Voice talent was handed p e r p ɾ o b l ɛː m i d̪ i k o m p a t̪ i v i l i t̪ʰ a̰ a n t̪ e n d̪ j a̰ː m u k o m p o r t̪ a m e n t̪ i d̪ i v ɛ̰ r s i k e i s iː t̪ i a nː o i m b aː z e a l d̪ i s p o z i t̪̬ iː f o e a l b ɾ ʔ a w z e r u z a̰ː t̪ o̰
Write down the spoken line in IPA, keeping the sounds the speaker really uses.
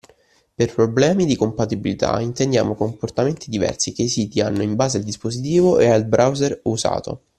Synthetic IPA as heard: p e r p ɾ o b l ɛː m i d̪ i k o m p a t̪ i b i l i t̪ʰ a̰ i n t̪ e n d̪ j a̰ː m o k o m p o r t̪ a m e n t̪ i d̪ i v ɛ̰ r s i k e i s iː t̪ i a nː o i m b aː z e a l d̪ i s p o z i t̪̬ iː v o e a l b ɾ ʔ a w z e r u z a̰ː t̪ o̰